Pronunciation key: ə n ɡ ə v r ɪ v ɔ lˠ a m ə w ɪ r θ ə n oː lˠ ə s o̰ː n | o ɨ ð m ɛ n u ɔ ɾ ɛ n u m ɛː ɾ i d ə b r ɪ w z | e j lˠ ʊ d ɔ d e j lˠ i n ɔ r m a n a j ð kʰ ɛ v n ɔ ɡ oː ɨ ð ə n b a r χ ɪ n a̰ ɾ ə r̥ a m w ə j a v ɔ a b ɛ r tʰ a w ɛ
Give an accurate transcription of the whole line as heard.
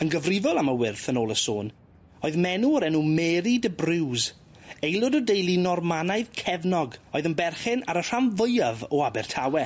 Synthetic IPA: ə n ɡ ə v r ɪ v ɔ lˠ a m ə w ɪ r θ ə n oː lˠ ə s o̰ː n | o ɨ ð m ɛ n u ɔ ɾ ɛ n u m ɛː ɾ i d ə b r ɪ w z | e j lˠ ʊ d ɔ d e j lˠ i n ɔ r m a n a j ð kʰ ɛ v n ɔ ɡ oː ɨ ð ə n b ɛ r χ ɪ n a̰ ɾ ə r̥ a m v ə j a v ɔ a b ɛ r tʰ a w ɛ